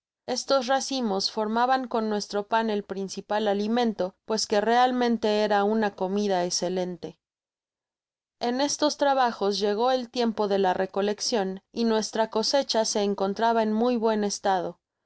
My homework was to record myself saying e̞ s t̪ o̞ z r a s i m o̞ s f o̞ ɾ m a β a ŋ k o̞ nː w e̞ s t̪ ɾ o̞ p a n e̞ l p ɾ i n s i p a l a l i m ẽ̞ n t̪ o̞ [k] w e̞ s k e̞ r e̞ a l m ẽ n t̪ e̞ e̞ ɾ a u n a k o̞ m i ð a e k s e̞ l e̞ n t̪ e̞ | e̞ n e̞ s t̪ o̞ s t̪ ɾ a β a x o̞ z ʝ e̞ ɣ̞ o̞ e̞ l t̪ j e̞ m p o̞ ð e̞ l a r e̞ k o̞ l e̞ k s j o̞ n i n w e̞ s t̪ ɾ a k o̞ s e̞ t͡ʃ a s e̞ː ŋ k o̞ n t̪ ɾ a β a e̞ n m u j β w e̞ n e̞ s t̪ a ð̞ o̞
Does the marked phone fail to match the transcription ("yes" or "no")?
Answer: yes